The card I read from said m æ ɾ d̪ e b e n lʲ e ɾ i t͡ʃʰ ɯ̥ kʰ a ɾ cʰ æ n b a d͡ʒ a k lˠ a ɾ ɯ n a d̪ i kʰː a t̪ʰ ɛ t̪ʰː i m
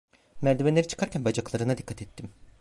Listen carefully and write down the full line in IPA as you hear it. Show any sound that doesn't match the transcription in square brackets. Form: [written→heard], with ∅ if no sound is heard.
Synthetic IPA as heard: m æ ɾ d̪ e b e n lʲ e ɾ i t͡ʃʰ ɯ̥ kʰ a ɾ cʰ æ n b a d͡ʒ a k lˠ a ɾ ɯ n a d̪ i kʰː a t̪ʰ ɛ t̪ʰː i m